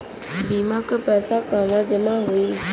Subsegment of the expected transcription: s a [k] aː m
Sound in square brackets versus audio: correct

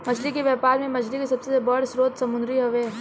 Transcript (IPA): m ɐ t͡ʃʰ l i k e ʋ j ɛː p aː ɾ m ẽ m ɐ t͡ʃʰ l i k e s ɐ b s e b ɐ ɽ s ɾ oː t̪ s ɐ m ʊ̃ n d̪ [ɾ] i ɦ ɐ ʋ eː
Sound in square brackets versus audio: correct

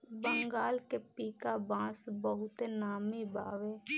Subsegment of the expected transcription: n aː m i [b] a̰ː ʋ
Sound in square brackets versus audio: correct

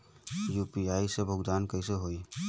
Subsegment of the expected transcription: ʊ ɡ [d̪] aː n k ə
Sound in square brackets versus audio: correct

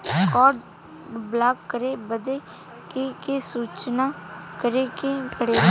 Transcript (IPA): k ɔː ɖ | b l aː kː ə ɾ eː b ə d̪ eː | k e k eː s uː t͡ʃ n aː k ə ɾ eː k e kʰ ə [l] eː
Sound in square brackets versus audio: incorrect: ɽ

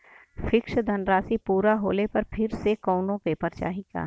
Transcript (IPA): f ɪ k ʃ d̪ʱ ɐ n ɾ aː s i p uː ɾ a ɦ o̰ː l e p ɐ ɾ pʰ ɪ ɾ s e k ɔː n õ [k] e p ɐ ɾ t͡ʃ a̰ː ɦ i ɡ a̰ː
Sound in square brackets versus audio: incorrect: p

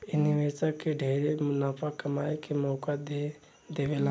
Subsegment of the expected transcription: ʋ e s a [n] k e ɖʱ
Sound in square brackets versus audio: incorrect: none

